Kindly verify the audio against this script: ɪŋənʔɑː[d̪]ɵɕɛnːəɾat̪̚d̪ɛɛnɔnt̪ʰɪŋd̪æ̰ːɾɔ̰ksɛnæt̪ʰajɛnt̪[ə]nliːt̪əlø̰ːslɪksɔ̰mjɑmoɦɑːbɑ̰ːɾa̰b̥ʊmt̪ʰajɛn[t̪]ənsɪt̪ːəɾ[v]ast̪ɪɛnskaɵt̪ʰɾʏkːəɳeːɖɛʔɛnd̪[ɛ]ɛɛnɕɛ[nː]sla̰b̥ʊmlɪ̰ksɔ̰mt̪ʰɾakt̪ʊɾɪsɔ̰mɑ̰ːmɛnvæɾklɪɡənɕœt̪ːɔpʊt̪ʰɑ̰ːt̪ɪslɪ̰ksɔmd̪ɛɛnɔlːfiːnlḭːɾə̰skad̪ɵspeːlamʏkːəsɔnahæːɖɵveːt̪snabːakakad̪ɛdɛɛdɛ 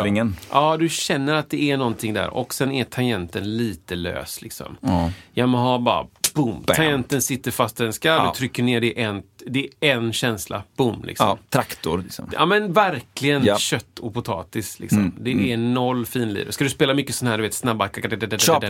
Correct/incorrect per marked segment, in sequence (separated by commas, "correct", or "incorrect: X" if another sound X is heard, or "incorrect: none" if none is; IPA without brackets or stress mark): correct, correct, correct, incorrect: f, correct, incorrect: n